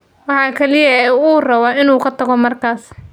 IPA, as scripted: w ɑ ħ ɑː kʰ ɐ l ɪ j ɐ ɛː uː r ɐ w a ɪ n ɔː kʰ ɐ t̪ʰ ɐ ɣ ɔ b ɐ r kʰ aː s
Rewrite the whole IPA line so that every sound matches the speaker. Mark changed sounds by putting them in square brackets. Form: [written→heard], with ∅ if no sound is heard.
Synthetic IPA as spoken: w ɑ ħ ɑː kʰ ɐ l ɪ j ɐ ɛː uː r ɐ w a ɪ n [ɔː→uː] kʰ ɐ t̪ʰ ɐ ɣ ɔ [b→m] ɐ r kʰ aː s